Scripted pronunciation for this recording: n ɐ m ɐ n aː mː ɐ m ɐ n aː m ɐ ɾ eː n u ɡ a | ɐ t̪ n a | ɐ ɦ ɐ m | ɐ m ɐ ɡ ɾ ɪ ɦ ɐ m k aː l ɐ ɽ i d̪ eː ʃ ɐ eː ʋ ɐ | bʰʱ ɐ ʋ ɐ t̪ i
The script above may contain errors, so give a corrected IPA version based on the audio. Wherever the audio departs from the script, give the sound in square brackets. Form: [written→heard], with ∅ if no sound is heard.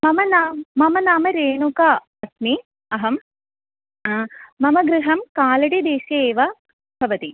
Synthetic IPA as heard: [n→m] ɐ m ɐ n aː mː ɐ m ɐ n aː m ɐ ɾ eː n u [ɡ→k] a | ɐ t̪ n [a→i] | ɐ ɦ ɐ m | ɐ m ɐ ɡ ɾ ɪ ɦ ɐ m k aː l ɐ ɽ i d̪ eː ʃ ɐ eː ʋ ɐ | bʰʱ ɐ ʋ ɐ t̪ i

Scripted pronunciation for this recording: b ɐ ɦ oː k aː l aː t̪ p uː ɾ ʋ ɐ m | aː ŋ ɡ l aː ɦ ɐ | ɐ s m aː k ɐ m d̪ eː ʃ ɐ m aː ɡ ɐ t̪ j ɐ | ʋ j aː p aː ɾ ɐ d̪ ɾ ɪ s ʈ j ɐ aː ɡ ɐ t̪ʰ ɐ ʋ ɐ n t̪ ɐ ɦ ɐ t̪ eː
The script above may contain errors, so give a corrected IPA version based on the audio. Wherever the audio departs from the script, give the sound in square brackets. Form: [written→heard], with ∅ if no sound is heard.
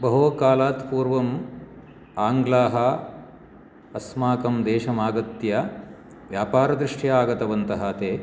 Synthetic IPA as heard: b ɐ ɦ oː k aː l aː t̪ p uː ɾ ʋ ɐ m | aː ŋ ɡ l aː ɦ ɐ | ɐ s m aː k ɐ m d̪ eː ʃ ɐ m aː ɡ ɐ t̪ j ɐ | ʋ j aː p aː ɾ ɐ d̪ ɾ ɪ [s→ʂ] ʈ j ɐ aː ɡ ɐ [t̪ʰ→t̪] ɐ ʋ ɐ n t̪ ɐ ɦ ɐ t̪ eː

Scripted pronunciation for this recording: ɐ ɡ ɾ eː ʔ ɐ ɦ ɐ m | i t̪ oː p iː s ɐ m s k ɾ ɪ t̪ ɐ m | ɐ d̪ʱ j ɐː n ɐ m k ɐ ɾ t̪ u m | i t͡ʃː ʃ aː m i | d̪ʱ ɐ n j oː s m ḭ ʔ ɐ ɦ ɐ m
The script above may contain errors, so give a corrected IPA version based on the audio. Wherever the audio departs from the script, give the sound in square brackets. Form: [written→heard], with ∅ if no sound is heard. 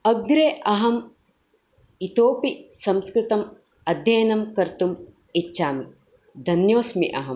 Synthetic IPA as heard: ɐ ɡ ɾ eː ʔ ɐ ɦ ɐ m | i t̪ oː p [iː→i] s ɐ m s k ɾ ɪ t̪ ɐ m | ɐ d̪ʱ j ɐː n ɐ m k ɐ ɾ t̪ u m | i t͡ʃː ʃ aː m i | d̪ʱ ɐ n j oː s m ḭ ʔ ɐ ɦ ɐ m

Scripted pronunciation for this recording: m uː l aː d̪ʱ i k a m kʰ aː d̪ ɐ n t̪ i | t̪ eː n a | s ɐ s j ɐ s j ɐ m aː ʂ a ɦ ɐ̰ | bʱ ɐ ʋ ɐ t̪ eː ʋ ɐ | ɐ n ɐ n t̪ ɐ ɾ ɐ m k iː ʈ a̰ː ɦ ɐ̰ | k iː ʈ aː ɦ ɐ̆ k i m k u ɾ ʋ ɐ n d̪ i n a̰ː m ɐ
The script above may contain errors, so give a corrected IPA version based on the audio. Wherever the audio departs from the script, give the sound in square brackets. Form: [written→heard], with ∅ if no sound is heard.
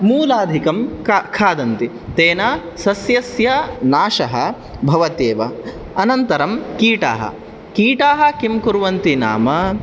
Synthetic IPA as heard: m uː l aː d̪ʱ i k [a→ɐ] m kʰ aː d̪ ɐ n t̪ i | t̪ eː n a | s ɐ s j ɐ s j ɐ [m→n] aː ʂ [a→ɐ] ɦ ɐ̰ | bʱ ɐ ʋ ɐ t̪ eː ʋ ɐ | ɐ n ɐ n t̪ ɐ ɾ ɐ m k iː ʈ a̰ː ɦ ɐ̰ | k iː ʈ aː ɦ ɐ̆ k i m k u ɾ ʋ ɐ n [d̪→t̪] i n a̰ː m ɐ

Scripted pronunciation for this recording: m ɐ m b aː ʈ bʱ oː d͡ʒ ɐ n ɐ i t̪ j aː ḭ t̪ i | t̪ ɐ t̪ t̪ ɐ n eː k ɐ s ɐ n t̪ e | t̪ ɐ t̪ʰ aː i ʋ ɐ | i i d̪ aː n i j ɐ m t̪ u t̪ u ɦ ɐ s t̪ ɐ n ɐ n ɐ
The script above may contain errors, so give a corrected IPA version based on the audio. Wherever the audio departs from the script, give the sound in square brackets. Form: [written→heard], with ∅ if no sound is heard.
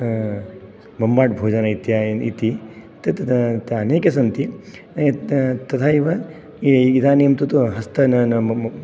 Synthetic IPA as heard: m ɐ m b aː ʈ bʱ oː d͡ʒ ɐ n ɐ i t̪ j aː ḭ t̪ i | t̪ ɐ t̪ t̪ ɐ n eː k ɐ s ɐ n t̪ [e→i] | t̪ ɐ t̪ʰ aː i ʋ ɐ | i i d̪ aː n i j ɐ m t̪ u t̪ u ɦ ɐ s t̪ ɐ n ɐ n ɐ

